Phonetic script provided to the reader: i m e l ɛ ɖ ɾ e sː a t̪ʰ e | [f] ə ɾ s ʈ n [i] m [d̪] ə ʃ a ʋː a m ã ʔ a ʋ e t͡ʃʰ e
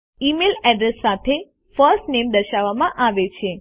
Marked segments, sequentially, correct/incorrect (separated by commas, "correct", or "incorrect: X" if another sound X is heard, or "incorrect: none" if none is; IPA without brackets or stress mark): correct, incorrect: e, correct